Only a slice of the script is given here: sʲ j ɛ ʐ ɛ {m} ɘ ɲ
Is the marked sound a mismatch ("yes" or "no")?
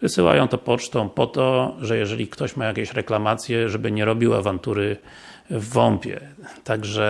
yes